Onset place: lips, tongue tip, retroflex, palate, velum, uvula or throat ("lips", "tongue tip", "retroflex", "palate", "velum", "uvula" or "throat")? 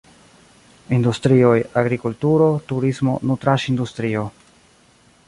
tongue tip